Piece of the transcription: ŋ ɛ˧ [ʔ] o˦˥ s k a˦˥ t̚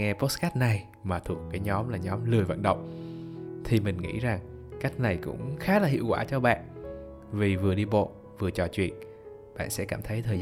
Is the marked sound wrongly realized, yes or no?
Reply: yes